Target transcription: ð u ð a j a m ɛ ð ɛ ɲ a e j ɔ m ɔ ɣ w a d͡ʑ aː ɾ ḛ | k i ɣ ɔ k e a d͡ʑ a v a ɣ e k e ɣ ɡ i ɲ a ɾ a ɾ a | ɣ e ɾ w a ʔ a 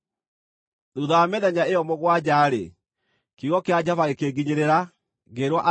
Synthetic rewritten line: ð u ð a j a m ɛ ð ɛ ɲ a e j ɔ m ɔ ɣ w a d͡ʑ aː ɾ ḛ | k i ɣ ɔ k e a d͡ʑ a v a ɣ e k e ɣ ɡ i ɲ e ɾ e ɾ a | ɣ e ɾ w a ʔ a